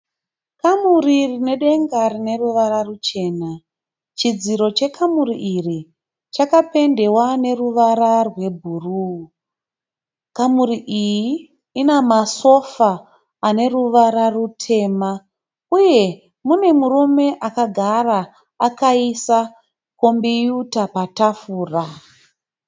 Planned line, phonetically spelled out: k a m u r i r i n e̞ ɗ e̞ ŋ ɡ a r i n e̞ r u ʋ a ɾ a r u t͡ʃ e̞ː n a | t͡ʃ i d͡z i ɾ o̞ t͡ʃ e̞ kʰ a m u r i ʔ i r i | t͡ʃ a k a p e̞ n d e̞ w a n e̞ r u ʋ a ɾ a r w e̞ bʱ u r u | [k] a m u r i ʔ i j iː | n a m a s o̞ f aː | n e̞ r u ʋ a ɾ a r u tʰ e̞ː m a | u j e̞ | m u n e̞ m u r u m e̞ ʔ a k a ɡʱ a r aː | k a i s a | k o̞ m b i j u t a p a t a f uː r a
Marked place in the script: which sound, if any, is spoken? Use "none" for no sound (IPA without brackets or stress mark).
k